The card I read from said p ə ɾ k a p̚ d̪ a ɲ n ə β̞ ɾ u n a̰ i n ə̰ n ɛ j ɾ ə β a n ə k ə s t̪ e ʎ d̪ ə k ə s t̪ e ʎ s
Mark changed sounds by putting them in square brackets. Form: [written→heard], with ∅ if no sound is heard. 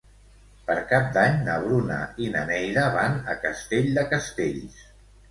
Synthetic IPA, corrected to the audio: p ə ɾ k a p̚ d̪ a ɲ n ə β̞ ɾ u n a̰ i n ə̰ n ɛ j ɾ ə β a n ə k ə s t̪ e ʎ d̪ ə k ə s t̪ e ʎ s

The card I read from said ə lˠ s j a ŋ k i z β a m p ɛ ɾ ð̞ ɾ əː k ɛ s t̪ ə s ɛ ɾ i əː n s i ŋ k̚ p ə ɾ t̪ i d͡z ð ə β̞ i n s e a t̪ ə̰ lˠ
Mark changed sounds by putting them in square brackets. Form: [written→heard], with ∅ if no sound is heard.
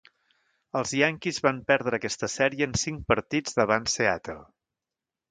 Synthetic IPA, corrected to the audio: ə lˠ [s→z] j a ŋ k i z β a m p ɛ ɾ ð̞ ɾ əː k ɛ s t̪ ə s ɛ ɾ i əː n s i ŋ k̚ p ə ɾ t̪ i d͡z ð ə β̞ [i→a] n s e a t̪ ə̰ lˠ

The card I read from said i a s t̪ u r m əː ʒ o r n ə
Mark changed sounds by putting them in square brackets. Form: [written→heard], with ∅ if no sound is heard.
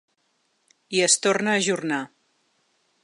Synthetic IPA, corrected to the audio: i [a→ə] s t̪ [u→o] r [m→n] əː ʒ [o→u] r n [ə→a]

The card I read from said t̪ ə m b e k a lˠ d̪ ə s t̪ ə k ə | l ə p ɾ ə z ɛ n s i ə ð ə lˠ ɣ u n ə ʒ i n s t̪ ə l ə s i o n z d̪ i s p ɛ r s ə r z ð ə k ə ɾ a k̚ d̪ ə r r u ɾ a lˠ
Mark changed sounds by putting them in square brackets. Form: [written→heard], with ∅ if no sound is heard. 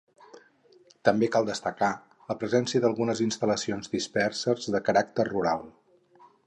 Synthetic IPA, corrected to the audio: t̪ ə m b e k a lˠ d̪ ə s t̪ ə k [ə→a] | l ə p ɾ ə z ɛ n s i ə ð ə lˠ ɣ u n ə [ʒ→z] i n s t̪ ə l ə s i o n z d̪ i s p ɛ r s ə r z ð ə k ə ɾ a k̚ [d̪→t̪] ə r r u ɾ a lˠ

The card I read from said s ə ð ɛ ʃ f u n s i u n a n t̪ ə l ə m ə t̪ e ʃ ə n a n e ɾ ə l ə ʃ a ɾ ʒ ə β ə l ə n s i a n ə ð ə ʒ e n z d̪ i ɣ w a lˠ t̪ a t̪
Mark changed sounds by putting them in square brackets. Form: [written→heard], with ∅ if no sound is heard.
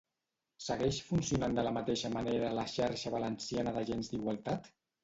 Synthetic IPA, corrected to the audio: s ə [ð→ɣ] ɛ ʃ f u n s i u n a n [t̪→d̪] ə l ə m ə t̪ e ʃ ə [n→m] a n e ɾ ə l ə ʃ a ɾ [ʒ→ʃ] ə β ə l ə n s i a n ə ð ə ʒ e n z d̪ i ɣ w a lˠ t̪ a t̪

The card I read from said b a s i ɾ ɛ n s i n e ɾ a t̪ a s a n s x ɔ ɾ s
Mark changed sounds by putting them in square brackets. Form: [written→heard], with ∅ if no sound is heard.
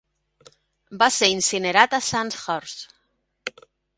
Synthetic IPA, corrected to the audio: b a s [i→e] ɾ [ɛ→i] n s i n e ɾ a t̪ a s a n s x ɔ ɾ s

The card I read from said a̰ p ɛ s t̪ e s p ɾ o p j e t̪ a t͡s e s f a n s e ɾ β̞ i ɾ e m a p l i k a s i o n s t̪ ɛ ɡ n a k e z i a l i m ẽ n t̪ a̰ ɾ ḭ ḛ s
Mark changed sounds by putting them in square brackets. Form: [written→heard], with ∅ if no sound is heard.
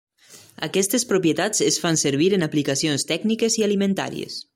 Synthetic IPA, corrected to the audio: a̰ [p→k] ɛ s t̪ e s p ɾ o p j e t̪ a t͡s e s f a n s e ɾ β̞ i ɾ e [m→n] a p l i k a s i o n s t̪ ɛ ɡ n [a→i] k e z i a l i m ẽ n t̪ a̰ ɾ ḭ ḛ s

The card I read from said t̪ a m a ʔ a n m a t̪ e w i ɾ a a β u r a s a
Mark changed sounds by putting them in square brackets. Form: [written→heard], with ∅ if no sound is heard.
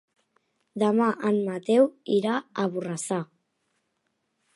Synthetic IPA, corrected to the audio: [t̪→d̪] a m a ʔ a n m a t̪ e w i ɾ a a β u r a s a

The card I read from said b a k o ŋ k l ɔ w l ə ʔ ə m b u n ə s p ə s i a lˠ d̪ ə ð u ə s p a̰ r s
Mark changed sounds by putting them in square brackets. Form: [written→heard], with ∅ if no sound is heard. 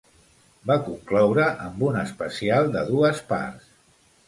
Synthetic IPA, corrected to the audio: b a k [o→u] ŋ k l ɔ w [l→ɾ] ə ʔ ə m b u n ə s p ə s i a lˠ d̪ ə ð u ə s p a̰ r s

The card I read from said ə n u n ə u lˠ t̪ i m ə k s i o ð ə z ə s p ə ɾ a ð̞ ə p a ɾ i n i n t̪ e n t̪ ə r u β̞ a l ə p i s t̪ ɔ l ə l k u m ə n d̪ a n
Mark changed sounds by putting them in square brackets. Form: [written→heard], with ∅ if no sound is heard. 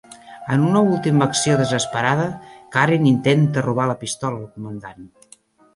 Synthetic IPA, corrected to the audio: ə n u n ə u lˠ t̪ i m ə k s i o ð ə z ə s p ə ɾ a ð̞ ə [p→k] a ɾ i n i n t̪ e n t̪ ə r u β̞ a l ə p i s t̪ ɔ l ə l k u m ə n d̪ a n

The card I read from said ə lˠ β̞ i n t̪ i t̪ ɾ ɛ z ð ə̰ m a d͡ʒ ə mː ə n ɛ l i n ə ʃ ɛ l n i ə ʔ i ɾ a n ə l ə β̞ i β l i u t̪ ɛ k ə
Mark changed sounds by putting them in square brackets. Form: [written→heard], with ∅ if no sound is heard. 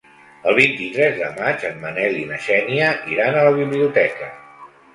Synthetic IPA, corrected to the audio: ə lˠ β̞ i n t̪ i t̪ ɾ ɛ z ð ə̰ m a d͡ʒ ə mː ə n ɛ l i n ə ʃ ɛ [l→∅] n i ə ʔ i ɾ a n ə l ə β̞ i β l i u t̪ ɛ k ə

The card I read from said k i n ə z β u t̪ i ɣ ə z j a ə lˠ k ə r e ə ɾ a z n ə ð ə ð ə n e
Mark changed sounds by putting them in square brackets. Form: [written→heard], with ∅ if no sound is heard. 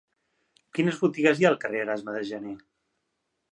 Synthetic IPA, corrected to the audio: k i n ə z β u t̪ i ɣ ə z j a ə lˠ k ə r e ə ɾ a z [n→m] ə ð ə [ð→ʒ] ə n e

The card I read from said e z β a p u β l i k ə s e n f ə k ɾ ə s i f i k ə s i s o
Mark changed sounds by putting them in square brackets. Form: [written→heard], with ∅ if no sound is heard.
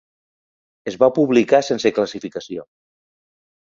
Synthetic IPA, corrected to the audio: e z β a p u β l i k [ə→a] s e n [f→s] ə k [ɾ→l] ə s i f i k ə s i [s→∅] o

